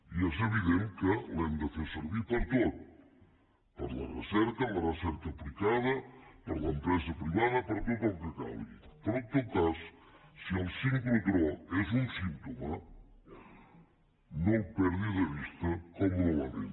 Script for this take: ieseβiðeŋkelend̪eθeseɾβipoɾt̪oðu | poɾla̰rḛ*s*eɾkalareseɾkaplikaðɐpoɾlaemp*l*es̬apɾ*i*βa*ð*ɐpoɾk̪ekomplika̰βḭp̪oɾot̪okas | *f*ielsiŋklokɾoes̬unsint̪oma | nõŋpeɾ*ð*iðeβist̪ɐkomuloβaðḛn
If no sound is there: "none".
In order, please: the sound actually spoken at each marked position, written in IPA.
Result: s, ɾ, i, ð, s, ð

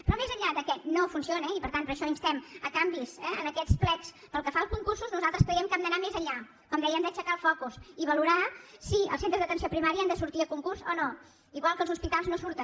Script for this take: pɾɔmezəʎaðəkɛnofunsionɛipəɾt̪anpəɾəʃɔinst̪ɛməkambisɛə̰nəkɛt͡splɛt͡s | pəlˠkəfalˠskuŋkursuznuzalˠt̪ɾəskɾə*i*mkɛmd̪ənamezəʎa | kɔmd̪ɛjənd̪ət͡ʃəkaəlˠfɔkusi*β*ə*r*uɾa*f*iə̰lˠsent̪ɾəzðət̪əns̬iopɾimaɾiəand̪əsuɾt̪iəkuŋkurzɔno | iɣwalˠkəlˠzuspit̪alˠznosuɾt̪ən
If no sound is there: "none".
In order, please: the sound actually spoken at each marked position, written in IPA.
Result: ɛ, β, l, s

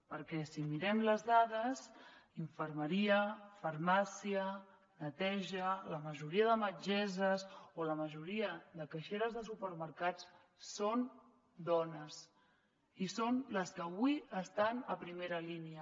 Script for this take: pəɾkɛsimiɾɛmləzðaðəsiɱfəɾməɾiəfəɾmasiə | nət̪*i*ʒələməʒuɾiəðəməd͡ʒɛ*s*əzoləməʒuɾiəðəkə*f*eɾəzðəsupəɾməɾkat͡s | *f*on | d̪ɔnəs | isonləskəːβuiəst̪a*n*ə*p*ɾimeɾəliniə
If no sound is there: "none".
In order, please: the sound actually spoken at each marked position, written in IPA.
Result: ɛ, z, ʃ, s, n, p

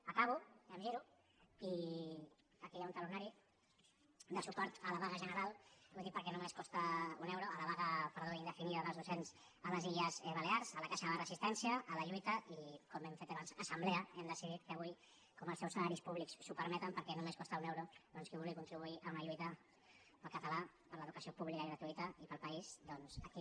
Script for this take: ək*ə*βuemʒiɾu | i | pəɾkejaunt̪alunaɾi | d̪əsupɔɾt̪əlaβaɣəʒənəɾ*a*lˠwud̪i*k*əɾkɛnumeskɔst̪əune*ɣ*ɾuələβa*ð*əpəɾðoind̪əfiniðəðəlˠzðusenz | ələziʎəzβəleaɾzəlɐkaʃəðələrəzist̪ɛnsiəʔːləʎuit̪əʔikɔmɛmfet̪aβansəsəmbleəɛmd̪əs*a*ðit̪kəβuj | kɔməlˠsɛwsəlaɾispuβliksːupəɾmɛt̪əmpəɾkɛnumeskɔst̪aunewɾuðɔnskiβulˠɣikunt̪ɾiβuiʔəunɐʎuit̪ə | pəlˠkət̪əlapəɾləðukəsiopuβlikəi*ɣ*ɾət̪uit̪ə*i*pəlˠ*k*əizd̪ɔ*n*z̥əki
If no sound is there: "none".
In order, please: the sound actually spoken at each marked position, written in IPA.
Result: a, a, p, w, ɣ, i, ɣ, i, p, n

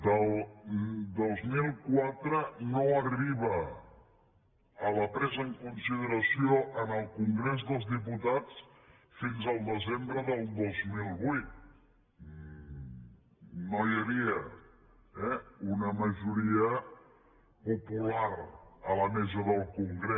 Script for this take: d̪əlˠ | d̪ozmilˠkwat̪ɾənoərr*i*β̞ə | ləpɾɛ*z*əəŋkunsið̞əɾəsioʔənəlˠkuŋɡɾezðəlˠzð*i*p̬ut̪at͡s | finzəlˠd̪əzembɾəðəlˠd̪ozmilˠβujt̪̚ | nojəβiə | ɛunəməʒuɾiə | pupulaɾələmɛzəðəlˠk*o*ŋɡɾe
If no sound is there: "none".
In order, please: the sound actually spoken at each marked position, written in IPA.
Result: i, z, i, u

